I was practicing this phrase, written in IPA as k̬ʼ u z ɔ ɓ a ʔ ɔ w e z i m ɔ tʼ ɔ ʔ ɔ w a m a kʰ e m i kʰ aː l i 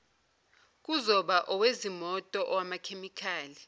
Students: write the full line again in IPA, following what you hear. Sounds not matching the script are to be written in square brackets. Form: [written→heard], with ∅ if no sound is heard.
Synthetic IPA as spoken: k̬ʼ u z ɔ ɓ a ʔ ɔ w e z i m ɔ tʼ ɔ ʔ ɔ w a m a kʰ e m i kʰ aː l i